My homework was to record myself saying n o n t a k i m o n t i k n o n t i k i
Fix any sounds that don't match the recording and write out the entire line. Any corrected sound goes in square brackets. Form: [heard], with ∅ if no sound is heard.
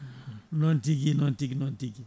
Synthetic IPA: n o n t [i] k i [n] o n t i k n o n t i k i